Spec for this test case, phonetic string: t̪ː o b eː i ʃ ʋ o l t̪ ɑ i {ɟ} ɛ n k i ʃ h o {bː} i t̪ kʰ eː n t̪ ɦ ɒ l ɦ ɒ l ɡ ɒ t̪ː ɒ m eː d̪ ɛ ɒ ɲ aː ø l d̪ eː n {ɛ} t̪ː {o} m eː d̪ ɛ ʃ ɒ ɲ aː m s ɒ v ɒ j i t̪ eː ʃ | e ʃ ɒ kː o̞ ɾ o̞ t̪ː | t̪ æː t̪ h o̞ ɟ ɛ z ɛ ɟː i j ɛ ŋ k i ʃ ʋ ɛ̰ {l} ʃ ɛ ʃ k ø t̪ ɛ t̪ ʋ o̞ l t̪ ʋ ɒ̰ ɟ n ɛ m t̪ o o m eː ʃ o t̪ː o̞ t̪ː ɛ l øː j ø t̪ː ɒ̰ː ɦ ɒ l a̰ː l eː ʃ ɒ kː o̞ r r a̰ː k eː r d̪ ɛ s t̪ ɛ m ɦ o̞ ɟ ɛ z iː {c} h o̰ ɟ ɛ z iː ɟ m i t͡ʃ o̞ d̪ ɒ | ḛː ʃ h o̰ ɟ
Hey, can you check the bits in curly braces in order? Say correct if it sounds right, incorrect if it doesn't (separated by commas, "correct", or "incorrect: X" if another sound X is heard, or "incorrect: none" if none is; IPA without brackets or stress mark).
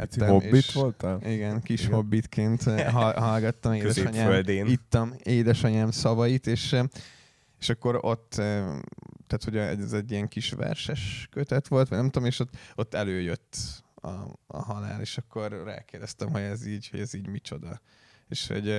incorrect: ɡ, correct, incorrect: i, incorrect: ɒ, incorrect: r, incorrect: ɟ